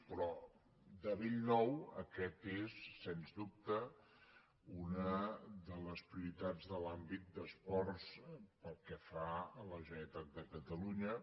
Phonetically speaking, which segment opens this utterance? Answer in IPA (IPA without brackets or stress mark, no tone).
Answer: p